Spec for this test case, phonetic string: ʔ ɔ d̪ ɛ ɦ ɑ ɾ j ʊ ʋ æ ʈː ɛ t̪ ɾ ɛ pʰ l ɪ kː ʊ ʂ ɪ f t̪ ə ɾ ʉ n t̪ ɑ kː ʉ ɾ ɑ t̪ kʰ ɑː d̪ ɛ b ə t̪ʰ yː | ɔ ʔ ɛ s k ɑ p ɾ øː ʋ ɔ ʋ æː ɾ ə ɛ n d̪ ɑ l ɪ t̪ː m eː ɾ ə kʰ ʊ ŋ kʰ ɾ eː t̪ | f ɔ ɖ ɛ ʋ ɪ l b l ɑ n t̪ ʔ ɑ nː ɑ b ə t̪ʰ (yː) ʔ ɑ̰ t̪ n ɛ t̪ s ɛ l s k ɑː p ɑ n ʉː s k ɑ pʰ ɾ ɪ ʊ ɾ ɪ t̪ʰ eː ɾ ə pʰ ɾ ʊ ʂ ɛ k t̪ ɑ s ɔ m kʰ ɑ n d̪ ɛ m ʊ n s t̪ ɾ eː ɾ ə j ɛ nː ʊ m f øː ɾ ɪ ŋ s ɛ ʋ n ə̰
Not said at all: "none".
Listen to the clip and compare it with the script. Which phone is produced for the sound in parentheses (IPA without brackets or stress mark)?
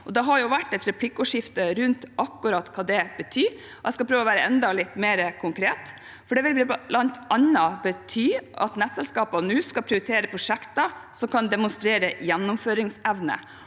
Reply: yː